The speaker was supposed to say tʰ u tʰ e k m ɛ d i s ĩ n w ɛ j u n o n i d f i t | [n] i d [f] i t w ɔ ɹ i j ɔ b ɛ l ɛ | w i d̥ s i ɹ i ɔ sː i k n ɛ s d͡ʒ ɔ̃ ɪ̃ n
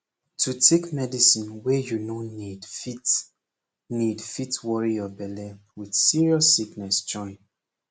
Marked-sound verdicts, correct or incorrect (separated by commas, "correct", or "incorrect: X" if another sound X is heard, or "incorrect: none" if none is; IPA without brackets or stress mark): correct, correct